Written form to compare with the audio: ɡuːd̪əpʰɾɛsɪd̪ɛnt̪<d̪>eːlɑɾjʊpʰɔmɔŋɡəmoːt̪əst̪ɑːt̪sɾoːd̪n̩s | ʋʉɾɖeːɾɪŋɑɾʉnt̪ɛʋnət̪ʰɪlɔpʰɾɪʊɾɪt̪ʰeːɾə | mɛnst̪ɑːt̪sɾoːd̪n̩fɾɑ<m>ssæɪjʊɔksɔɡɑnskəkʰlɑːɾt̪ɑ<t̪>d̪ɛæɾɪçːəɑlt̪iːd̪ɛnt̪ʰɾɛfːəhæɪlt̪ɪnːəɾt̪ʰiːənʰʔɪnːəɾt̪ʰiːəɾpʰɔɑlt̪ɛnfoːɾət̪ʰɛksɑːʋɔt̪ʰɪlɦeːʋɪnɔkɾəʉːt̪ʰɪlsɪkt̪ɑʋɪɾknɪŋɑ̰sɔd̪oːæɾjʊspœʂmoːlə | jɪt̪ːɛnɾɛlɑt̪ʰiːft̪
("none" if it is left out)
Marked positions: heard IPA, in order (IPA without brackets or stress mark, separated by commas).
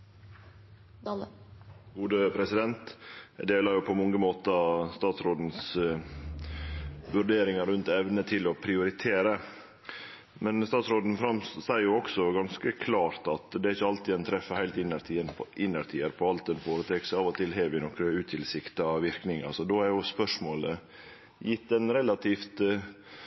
d̪, m, t̪